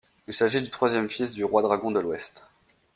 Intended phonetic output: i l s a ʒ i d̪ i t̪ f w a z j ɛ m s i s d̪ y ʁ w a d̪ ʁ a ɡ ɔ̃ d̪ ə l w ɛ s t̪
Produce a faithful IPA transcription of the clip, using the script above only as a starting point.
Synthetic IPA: i l s a ʒ i d̪ y t̪ χ w a z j ɛ m f i s d̪ y ʁ w a d̪ ʁ a ɡ ɔ̃ d̪ ə l w ɛ s t̪